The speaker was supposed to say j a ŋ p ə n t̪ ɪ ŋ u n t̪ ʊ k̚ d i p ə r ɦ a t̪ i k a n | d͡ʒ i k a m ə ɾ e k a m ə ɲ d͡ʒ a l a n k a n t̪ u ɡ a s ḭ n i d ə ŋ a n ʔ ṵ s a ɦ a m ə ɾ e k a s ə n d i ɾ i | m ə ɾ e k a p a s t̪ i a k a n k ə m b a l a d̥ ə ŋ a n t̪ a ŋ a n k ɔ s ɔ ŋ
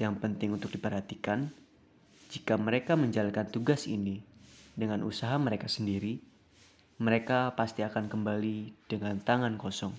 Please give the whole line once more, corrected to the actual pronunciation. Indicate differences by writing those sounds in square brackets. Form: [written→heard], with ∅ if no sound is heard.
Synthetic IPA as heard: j a ŋ p ə n t̪ ɪ ŋ u n t̪ ʊ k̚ d i p ə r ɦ a t̪ i k a n | d͡ʒ i k a m ə ɾ e k a m ə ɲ d͡ʒ a l a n k a n t̪ u ɡ a s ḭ n i d ə ŋ a n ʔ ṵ s a ɦ a m ə ɾ e k a s ə n d i ɾ i | m ə ɾ e k a p a s t̪ i a k a n k ə m b a l [a→i] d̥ ə ŋ a n t̪ a ŋ a n k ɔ s ɔ ŋ